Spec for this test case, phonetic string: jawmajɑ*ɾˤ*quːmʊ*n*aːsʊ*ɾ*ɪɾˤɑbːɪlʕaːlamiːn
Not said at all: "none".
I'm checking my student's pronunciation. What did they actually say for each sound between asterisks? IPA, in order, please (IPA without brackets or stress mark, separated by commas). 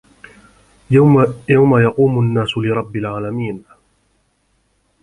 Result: none, nː, l